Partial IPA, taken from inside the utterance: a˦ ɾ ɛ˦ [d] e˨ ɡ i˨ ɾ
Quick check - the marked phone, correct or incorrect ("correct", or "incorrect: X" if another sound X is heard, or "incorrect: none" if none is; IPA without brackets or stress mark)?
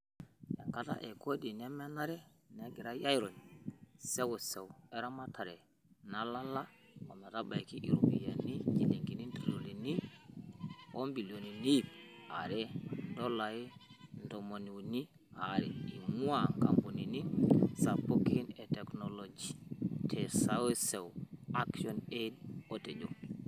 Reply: incorrect: n